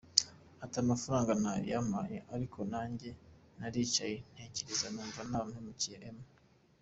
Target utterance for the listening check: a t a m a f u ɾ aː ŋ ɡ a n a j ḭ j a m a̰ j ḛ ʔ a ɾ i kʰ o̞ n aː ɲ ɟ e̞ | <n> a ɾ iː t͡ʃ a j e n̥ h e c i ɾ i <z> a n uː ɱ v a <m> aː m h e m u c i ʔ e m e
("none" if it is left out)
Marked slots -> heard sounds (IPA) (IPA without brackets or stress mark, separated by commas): n, z, n